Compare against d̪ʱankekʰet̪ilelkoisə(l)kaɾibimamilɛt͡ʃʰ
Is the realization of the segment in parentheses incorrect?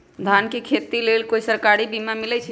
yes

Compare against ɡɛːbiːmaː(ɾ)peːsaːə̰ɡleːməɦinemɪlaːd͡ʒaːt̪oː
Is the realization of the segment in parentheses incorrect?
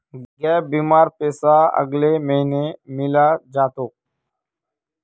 no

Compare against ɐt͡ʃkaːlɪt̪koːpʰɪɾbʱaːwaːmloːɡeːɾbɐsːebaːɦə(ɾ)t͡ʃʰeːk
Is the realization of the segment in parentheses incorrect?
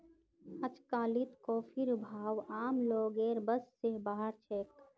no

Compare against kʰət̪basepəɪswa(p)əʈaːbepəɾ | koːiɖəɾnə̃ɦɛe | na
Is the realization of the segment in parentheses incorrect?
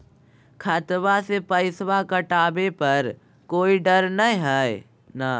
yes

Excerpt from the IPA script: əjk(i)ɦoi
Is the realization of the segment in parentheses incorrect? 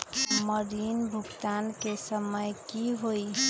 no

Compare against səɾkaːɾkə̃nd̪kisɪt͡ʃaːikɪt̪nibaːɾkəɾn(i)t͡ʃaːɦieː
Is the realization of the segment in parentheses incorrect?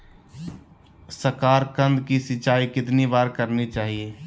no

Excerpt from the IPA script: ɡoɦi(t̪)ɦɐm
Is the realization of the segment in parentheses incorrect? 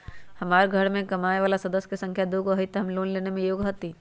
no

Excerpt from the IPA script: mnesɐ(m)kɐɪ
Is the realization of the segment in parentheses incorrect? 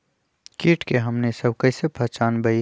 yes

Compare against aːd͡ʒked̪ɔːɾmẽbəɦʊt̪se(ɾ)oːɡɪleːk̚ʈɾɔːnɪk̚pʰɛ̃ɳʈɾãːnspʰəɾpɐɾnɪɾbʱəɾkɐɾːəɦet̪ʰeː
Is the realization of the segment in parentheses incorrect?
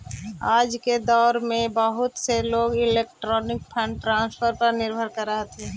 yes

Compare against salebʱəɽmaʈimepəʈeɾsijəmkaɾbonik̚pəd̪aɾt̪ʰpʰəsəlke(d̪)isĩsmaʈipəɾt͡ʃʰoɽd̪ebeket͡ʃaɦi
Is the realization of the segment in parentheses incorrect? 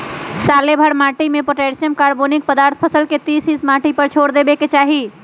yes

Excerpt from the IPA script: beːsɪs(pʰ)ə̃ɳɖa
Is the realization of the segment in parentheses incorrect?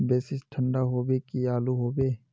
yes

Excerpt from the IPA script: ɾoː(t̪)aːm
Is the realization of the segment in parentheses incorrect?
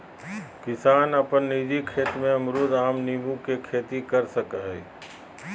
yes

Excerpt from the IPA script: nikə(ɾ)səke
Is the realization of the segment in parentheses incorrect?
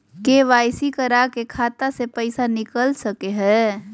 yes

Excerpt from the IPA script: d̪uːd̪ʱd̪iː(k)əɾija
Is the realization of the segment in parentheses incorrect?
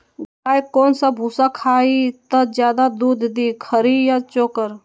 yes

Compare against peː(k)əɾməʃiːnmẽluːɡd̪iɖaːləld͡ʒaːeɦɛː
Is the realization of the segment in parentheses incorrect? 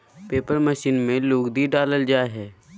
yes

